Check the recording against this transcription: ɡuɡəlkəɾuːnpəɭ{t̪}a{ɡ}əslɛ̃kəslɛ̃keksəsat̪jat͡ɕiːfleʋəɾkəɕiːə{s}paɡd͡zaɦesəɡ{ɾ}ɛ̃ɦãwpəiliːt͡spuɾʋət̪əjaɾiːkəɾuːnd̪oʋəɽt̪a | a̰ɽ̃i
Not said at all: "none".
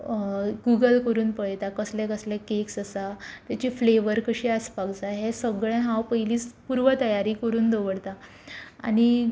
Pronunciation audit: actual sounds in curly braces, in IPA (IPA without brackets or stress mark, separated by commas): t̪, k, s, ɭ